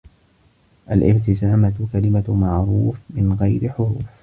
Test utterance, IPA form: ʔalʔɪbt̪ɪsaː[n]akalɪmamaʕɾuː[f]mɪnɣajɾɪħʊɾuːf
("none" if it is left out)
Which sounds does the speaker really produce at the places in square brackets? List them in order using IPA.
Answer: m, f

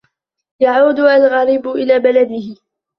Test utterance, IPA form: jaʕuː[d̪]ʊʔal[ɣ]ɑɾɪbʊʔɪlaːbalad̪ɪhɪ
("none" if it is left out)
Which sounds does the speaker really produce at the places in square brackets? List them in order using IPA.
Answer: d̪, ɣ

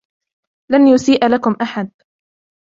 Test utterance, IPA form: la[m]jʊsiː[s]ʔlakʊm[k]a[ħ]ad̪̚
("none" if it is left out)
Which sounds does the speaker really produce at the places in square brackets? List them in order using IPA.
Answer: n, none, ʔ, ħ

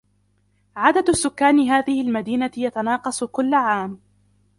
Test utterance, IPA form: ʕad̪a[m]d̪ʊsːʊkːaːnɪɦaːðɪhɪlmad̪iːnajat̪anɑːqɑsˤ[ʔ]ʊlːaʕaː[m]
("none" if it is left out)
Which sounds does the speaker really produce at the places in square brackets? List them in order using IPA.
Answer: none, k, m

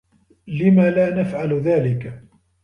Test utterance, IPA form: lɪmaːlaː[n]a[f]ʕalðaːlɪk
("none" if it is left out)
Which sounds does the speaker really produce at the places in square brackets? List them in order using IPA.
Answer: n, f

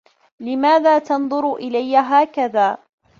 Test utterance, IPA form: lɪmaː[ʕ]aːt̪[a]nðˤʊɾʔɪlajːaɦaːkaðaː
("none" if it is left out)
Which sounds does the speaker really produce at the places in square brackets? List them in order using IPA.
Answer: ð, ɑ

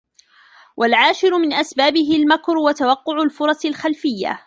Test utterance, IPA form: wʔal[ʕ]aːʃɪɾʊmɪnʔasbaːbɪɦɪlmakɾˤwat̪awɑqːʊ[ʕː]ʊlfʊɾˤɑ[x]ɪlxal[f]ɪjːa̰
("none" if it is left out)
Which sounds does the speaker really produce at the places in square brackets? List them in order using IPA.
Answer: ʕ, ʕ, s, f

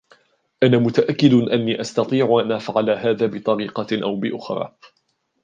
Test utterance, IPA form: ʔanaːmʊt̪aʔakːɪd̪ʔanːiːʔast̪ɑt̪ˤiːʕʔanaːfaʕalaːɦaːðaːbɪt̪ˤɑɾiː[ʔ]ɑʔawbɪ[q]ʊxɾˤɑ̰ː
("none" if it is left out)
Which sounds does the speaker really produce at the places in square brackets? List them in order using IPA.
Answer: q, ʔ

